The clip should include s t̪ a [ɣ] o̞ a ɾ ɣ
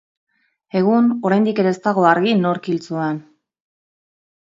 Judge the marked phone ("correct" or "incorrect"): correct